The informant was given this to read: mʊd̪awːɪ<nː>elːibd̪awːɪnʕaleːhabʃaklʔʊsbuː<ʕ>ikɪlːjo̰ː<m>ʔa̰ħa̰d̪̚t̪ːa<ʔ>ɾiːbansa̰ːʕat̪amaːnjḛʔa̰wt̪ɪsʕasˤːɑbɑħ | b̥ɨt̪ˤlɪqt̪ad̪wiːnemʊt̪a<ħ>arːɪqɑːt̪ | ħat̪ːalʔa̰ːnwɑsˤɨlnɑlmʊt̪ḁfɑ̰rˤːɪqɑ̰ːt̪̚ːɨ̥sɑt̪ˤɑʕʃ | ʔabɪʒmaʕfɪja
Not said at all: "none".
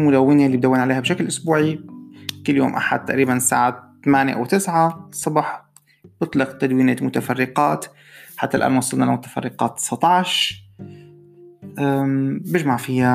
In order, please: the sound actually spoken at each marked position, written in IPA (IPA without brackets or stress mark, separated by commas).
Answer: n, ʕ, m, ʔ, f